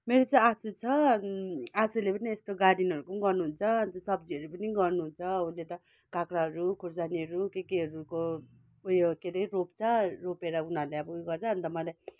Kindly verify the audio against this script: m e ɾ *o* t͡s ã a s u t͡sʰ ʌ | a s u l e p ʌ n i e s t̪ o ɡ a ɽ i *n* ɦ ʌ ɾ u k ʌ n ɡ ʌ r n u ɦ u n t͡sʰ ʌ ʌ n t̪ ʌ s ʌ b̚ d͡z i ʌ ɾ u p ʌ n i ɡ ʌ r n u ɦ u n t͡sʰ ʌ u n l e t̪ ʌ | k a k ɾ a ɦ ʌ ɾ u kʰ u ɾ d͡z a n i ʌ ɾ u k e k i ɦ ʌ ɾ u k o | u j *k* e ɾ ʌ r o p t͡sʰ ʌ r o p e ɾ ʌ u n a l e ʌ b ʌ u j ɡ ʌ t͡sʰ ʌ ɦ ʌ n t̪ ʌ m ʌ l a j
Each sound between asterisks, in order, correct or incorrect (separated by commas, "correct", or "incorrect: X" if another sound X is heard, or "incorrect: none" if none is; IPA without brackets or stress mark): correct, correct, correct